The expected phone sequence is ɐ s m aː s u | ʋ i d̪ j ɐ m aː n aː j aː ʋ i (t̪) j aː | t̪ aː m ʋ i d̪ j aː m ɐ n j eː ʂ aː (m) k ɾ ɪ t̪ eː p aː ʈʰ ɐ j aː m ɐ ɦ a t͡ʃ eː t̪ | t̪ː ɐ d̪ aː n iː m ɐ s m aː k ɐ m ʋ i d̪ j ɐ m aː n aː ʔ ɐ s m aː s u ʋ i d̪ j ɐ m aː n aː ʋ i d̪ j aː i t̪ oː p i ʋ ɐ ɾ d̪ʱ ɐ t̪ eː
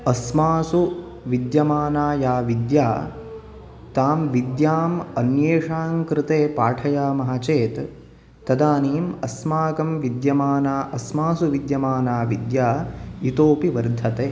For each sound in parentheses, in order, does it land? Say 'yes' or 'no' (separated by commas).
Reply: no, no